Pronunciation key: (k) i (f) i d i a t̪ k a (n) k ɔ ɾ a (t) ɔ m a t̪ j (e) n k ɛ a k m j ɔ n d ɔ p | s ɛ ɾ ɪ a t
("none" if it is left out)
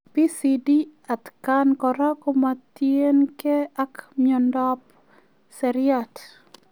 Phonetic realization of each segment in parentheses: p, s, n, k, e

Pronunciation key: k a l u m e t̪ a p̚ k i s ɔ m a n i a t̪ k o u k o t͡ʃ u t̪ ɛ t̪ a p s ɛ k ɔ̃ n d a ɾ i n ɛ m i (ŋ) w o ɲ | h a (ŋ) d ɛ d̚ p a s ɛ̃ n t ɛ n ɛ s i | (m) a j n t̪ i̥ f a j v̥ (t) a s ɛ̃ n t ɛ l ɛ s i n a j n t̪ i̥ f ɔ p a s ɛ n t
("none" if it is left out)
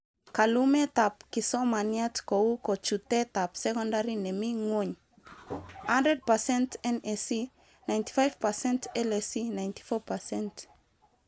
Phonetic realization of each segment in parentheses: ŋ, n, n, p

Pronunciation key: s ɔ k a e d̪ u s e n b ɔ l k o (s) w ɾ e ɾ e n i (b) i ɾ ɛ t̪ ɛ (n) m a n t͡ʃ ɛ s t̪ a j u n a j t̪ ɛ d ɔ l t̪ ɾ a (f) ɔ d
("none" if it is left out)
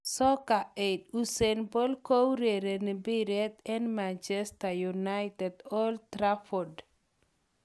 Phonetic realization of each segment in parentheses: none, b, n, f

